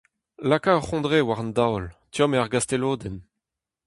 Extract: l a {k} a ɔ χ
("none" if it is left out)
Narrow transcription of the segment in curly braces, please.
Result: k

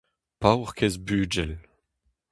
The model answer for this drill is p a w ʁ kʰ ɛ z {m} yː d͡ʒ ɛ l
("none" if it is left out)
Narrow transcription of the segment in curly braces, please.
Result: b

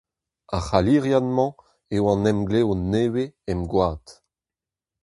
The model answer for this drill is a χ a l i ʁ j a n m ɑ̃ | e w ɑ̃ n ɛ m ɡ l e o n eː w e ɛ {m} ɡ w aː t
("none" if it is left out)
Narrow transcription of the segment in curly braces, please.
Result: m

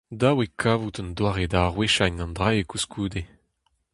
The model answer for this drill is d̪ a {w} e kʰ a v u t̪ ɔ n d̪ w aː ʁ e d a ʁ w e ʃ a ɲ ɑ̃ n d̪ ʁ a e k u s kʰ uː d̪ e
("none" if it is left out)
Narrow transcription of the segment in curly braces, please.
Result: w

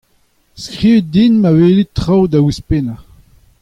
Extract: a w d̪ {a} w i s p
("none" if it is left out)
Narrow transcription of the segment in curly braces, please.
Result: a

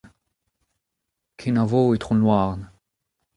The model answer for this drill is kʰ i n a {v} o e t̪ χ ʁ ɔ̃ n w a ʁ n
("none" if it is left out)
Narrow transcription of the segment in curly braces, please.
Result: v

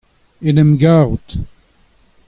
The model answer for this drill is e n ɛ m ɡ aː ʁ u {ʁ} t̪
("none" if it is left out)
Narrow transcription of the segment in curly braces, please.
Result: none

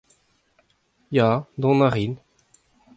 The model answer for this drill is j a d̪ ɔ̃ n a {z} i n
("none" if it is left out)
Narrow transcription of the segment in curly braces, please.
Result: ʁ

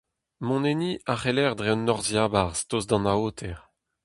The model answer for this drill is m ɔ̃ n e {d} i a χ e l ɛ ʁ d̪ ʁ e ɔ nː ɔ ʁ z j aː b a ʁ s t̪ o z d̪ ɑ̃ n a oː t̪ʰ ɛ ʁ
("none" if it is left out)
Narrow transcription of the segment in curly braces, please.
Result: n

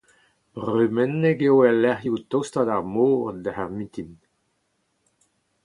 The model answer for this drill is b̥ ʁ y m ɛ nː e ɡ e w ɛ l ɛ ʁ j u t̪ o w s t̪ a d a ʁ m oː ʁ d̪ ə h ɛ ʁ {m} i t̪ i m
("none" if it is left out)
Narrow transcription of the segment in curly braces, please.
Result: m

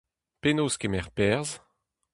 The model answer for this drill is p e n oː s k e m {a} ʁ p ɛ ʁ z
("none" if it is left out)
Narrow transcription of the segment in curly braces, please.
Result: ɛ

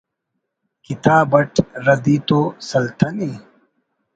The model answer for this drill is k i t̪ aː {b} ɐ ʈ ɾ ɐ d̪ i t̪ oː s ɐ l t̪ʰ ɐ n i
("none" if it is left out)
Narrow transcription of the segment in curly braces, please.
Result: b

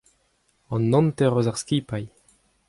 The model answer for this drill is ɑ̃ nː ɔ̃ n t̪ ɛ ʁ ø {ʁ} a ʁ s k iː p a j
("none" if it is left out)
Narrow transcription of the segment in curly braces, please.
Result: z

